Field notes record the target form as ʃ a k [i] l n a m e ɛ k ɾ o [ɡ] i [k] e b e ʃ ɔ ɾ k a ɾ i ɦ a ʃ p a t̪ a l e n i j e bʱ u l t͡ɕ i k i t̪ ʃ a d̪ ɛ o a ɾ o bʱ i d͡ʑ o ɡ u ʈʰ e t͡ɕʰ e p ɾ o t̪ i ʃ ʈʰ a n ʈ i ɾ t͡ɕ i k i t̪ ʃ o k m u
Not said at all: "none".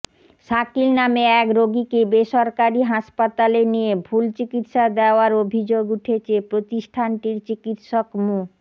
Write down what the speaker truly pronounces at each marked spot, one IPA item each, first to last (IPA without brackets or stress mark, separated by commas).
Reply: i, ɡ, k